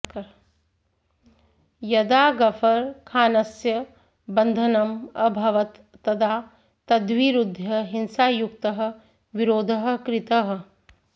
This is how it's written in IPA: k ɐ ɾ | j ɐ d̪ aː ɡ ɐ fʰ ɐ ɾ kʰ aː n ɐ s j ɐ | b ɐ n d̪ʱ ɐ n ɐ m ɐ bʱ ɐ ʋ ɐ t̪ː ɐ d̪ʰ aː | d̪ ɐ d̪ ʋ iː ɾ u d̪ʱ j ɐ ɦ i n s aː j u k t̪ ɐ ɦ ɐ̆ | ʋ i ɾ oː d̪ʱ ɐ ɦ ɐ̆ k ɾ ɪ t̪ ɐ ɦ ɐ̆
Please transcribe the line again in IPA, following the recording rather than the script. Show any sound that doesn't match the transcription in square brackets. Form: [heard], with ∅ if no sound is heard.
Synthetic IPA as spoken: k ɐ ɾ | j ɐ d̪ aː ɡ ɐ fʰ ɐ ɾ kʰ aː n ɐ s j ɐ | b ɐ n d̪ʱ ɐ n ɐ m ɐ bʱ ɐ ʋ ɐ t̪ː ɐ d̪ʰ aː | [t̪] ɐ d̪ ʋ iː ɾ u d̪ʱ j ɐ ɦ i n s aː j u k t̪ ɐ ɦ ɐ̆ | ʋ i ɾ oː d̪ʱ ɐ ɦ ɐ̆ k ɾ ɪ t̪ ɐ ɦ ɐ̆